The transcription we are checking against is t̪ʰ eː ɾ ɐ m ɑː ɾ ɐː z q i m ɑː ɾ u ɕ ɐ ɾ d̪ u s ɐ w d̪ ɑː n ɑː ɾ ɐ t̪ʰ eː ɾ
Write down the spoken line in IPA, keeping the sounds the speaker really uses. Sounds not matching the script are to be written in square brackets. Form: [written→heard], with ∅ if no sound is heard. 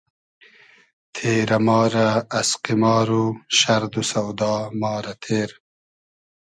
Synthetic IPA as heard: t̪ʰ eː ɾ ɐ m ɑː ɾ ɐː [z→s] q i m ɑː ɾ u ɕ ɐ ɾ d̪ u s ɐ w d̪ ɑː [n→m] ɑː ɾ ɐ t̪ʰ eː ɾ